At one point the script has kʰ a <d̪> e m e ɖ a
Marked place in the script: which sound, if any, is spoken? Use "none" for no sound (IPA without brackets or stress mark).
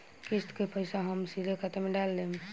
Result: t̪